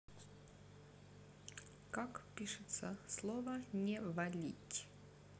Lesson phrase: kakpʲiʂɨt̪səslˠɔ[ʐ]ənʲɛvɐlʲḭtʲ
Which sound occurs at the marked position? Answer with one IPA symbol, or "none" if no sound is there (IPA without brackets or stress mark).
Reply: v